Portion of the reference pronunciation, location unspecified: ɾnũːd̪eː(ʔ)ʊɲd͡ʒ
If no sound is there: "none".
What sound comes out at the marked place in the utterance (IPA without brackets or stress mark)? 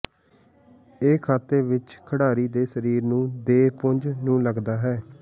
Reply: p